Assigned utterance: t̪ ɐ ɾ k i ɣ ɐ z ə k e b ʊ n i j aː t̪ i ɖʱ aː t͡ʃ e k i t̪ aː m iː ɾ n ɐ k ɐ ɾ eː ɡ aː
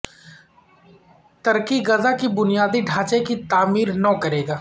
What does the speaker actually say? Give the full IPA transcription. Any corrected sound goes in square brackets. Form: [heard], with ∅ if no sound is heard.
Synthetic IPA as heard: t̪ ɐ ɾ k i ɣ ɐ z [a] k [i] b ʊ n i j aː [d̪] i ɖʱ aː t͡ʃ e k i t̪ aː m iː ɾ n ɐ k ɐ ɾ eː ɡ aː